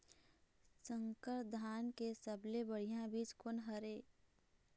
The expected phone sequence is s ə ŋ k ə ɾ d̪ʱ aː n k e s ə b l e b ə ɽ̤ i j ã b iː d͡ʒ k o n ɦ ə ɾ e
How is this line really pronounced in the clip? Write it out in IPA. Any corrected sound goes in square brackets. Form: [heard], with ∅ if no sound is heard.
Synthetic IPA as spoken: s ə ŋ k ə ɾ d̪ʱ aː n k e s ə b l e b ə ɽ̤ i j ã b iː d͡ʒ k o n ɦ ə ɾ e